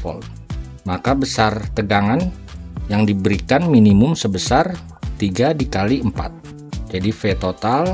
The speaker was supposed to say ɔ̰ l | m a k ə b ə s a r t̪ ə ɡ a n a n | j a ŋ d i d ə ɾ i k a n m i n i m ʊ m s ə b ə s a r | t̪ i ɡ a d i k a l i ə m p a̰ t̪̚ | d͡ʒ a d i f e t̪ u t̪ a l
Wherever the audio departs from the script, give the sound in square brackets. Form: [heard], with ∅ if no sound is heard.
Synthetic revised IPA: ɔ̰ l | m a k [a] b ə s a r t̪ ə ɡ a [ŋ] a n | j a ŋ d i [b] ə ɾ i k a n m i n i m ʊ m s ə b ə s a r | t̪ i ɡ a d i k a l i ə m p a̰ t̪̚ | d͡ʒ a d i f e t̪ [o] t̪ a l